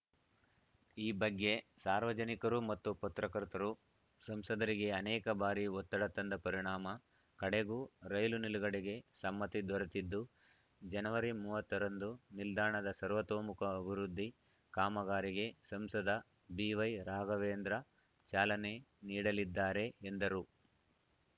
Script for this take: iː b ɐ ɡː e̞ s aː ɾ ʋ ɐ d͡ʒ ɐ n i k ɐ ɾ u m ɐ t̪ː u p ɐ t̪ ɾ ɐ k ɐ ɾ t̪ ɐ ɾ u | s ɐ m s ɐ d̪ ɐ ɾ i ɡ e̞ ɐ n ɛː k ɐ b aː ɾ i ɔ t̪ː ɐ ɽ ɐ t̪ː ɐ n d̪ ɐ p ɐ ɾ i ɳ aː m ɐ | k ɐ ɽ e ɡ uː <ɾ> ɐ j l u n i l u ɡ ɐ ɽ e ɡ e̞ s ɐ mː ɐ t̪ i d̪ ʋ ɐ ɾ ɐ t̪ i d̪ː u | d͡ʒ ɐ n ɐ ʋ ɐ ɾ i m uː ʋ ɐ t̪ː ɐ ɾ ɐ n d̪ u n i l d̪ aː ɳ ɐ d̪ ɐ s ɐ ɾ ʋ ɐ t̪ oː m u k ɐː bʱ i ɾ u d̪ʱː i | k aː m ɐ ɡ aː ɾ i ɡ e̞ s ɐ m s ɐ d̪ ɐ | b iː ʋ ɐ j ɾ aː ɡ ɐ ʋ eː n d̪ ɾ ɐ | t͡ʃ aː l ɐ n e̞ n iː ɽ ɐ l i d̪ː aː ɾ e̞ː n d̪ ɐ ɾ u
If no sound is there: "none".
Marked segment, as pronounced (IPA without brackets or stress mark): ɾ